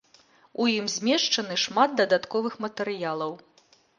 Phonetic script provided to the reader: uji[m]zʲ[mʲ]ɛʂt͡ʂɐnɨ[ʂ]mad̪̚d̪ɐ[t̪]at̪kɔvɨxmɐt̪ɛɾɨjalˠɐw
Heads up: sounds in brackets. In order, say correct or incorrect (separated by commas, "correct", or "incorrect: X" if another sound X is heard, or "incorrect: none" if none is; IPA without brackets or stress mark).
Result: correct, correct, correct, incorrect: d̪